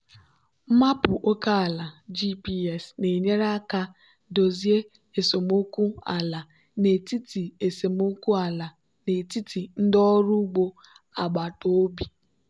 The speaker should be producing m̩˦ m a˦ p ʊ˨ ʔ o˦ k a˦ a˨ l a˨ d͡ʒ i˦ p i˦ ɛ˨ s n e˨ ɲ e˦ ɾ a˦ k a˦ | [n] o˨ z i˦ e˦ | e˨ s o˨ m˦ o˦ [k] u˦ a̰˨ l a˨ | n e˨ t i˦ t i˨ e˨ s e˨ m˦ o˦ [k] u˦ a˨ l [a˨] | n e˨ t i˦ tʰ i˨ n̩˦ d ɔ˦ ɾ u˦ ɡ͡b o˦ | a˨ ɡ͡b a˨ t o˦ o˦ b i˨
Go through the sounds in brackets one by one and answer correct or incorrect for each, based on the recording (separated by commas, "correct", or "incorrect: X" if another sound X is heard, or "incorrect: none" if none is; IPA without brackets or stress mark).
incorrect: d, correct, correct, correct